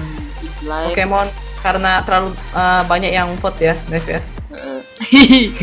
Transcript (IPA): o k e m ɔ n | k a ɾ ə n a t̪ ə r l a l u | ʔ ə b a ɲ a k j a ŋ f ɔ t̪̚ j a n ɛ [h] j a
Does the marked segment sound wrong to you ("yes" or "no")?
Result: yes